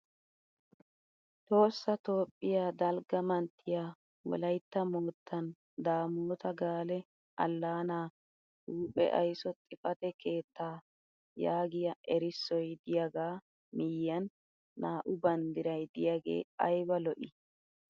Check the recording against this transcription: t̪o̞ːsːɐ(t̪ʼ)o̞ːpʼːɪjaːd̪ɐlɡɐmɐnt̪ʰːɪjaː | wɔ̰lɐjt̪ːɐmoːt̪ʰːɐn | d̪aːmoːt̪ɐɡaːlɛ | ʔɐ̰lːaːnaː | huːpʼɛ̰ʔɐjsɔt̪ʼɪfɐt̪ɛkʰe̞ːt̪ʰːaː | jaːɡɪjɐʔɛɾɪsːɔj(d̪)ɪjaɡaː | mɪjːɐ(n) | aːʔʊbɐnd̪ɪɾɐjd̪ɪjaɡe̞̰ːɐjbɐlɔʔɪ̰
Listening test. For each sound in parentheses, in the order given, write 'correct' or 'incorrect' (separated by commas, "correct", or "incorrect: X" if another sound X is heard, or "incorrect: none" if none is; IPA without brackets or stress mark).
incorrect: t̪, correct, incorrect: nː